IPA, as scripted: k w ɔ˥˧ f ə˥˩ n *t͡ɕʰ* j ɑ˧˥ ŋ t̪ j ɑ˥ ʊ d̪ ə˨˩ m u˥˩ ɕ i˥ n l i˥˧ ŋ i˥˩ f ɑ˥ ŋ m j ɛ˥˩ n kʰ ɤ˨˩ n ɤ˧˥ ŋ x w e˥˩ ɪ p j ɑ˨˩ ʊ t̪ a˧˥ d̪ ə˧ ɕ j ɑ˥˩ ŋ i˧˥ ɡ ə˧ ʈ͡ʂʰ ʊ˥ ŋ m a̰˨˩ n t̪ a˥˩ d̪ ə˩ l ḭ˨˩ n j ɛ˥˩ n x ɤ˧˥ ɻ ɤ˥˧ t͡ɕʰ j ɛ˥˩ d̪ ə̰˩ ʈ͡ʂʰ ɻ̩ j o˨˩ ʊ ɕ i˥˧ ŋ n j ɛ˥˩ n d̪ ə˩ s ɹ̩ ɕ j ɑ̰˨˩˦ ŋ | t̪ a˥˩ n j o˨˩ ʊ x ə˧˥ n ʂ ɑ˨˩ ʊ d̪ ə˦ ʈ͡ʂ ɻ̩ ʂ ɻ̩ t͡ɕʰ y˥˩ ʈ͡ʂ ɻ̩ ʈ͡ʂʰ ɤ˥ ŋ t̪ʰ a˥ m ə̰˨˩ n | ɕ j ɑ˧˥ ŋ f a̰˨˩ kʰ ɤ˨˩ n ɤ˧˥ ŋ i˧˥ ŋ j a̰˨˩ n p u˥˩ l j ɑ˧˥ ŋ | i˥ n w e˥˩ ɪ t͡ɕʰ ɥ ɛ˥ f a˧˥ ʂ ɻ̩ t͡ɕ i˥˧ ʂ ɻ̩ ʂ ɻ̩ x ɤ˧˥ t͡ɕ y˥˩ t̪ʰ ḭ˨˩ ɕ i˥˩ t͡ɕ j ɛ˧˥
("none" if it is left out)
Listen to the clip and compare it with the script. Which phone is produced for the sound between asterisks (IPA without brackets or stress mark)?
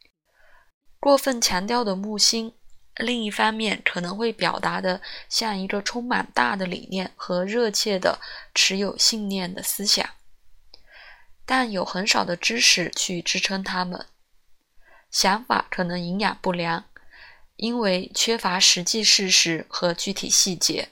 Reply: t͡ɕʰ